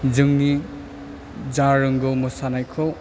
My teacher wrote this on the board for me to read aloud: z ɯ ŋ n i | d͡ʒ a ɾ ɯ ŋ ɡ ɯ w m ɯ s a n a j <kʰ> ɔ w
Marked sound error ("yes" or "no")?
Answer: no